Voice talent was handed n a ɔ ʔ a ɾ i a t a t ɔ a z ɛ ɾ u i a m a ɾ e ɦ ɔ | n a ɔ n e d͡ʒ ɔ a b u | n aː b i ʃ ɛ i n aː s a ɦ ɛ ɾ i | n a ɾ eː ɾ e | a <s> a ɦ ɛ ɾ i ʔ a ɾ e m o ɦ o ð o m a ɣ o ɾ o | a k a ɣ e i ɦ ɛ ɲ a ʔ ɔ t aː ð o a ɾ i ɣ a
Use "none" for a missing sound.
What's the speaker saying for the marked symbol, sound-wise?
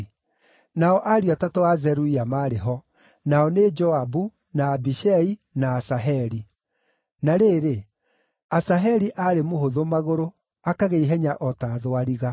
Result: s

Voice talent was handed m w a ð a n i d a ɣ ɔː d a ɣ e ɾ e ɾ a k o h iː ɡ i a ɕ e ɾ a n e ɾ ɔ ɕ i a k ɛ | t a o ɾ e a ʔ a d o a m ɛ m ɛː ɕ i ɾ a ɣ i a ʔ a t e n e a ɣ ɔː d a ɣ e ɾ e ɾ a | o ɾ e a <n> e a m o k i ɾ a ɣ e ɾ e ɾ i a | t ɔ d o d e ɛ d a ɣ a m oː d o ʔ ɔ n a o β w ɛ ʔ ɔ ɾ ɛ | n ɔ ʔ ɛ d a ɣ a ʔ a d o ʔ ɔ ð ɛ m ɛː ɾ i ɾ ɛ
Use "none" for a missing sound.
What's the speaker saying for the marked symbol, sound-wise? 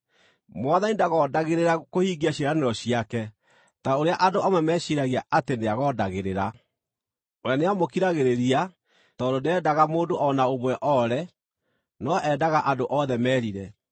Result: n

